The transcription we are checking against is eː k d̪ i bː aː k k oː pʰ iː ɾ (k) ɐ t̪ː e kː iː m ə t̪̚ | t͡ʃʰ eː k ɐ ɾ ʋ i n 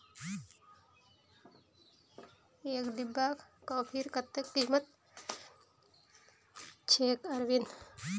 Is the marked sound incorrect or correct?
correct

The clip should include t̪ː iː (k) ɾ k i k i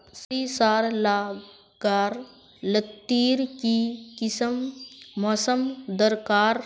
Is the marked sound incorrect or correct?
incorrect: none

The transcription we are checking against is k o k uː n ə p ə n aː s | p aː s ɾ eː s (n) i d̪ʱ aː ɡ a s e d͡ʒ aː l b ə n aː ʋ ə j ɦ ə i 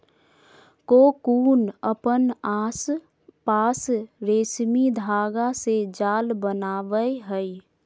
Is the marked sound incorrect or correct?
incorrect: m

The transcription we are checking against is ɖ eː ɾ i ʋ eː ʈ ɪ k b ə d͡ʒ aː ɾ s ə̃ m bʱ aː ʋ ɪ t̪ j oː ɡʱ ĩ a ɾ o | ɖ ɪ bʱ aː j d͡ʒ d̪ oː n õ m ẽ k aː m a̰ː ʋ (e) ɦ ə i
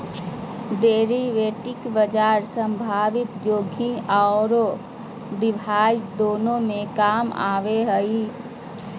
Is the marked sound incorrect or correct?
correct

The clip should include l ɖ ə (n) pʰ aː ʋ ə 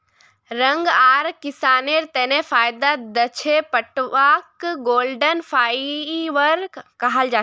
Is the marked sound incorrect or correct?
correct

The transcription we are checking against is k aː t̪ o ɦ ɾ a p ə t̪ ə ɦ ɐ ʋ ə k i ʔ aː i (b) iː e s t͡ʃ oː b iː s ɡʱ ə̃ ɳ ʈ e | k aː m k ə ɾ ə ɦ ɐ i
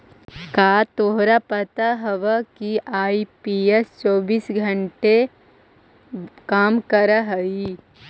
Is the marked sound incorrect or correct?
incorrect: p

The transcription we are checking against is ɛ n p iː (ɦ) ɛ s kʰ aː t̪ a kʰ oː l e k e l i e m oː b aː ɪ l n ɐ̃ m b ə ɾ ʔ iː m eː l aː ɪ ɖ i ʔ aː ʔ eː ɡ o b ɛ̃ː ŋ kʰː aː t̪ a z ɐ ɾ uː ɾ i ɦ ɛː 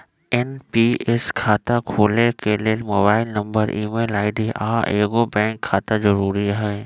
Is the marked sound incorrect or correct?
incorrect: none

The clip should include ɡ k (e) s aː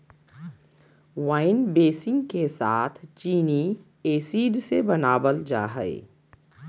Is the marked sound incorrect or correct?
correct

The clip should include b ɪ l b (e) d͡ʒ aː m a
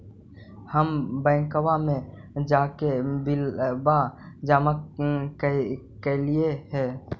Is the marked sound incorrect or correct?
incorrect: a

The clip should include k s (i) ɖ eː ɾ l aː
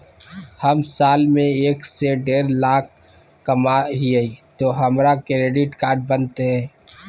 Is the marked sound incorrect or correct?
incorrect: e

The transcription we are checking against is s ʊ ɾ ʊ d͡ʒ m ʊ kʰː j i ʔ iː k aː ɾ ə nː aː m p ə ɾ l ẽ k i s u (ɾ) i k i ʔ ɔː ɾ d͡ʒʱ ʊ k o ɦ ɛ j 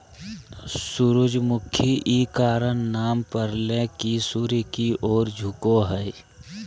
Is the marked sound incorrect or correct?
correct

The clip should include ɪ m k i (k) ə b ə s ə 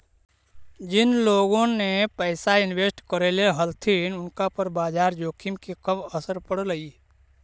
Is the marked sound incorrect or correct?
correct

